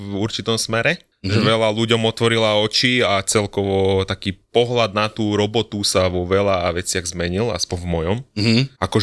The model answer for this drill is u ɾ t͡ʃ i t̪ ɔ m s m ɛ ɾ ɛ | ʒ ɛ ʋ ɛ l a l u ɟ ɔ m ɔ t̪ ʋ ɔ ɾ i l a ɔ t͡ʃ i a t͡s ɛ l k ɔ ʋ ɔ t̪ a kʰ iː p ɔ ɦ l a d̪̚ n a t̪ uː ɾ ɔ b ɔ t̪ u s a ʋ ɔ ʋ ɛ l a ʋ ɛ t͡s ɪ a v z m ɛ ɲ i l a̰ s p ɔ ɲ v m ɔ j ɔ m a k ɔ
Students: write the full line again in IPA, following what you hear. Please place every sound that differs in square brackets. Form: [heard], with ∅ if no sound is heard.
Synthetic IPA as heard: u ɾ t͡ʃ i t̪ ɔ m s m ɛ ɾ ɛ | ʒ ɛ ʋ ɛ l a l u ɟ ɔ m ɔ t̪ ʋ ɔ ɾ i l a ɔ t͡ʃ i a t͡s ɛ l k ɔ ʋ ɔ t̪ a [k] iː p ɔ ɦ l a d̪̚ n a t̪ uː ɾ ɔ b ɔ t̪ u s a ʋ ɔ ʋ ɛ l a ʋ ɛ t͡s ɪ a [ɣ] z m ɛ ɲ i l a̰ s p ɔ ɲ v m ɔ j ɔ m a k ɔ